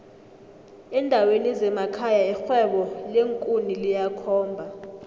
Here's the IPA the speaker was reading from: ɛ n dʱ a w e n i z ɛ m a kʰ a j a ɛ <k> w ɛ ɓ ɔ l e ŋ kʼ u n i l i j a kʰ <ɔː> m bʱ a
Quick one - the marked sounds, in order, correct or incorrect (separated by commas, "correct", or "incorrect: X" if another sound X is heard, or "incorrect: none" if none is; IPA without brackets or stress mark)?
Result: incorrect: x, correct